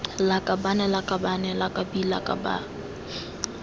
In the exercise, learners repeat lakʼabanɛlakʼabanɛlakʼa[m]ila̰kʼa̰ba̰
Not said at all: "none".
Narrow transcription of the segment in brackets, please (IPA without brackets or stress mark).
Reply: b